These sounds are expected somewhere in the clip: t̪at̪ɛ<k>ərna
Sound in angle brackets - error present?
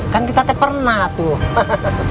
yes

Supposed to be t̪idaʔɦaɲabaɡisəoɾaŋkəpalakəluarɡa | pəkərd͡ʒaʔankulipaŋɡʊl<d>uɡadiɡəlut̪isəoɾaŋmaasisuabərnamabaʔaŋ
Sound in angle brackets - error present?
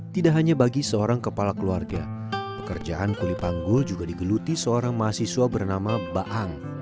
yes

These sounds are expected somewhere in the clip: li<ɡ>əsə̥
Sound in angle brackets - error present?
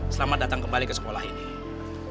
yes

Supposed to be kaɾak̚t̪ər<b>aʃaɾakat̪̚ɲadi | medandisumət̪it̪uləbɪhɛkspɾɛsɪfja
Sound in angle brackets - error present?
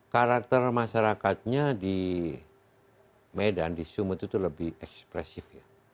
yes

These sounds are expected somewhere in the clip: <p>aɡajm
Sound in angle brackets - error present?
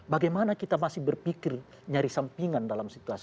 yes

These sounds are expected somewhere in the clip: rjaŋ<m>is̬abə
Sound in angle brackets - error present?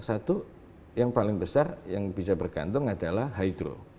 yes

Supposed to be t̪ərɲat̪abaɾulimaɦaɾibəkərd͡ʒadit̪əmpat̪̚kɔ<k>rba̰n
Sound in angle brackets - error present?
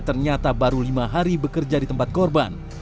yes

